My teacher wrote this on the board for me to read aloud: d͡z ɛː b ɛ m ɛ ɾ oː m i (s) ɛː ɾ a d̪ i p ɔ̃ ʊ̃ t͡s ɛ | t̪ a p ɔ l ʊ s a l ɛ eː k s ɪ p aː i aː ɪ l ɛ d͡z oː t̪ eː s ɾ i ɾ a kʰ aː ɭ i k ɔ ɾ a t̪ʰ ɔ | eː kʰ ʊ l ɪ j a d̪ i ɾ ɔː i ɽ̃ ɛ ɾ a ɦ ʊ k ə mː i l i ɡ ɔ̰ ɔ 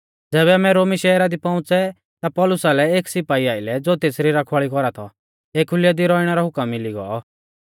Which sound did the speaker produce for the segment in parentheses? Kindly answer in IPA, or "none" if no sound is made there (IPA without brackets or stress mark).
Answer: ʃ